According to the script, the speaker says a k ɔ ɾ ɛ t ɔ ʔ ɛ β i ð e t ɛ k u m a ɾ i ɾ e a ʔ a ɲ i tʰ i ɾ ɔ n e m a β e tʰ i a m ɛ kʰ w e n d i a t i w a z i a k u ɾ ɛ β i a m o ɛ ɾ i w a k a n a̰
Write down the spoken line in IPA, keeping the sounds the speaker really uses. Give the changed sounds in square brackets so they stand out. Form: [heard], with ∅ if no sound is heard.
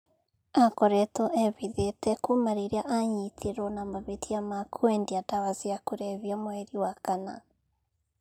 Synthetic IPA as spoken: a k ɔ ɾ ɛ t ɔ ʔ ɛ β i ð e t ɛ k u m a ɾ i ɾ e a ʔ a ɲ i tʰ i ɾ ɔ n [a] m a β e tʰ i a m [a] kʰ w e n d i a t [a] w a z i a k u ɾ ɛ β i a m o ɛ ɾ i w a k a n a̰